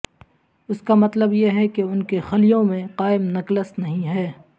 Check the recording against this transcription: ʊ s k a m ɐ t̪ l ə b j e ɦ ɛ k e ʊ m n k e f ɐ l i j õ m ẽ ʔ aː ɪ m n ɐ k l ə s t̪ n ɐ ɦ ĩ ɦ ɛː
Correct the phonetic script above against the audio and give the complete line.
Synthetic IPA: ʊ s k a m ɐ t̪ l ə b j e ɦ ɛ k e ʊ n k e x ɐ l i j õ m ẽ q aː ɪ m n ɐ k l ə s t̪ n ɐ ɦ ĩ ɦ ɛː

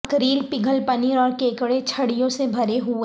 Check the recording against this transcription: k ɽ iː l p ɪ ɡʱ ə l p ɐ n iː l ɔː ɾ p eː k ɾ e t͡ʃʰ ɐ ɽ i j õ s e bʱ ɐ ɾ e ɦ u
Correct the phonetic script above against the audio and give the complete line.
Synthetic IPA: k ɾ iː l p ɪ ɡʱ ə l p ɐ n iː ɾ ɔː ɾ k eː k ɽ e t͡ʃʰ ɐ ɽ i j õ s e bʱ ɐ ɾ e ɦ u

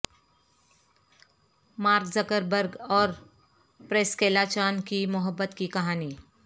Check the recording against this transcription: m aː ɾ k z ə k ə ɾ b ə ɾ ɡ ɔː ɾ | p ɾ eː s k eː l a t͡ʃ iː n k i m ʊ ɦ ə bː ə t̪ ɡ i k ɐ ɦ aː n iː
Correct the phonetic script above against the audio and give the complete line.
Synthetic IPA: m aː ɾ k z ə k ə ɾ b ə ɾ ɡ ɔː ɾ | p ɾ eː s k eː l a t͡ʃ aː n k i m ʊ ɦ ə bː ə t̪ k i k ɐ ɦ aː n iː

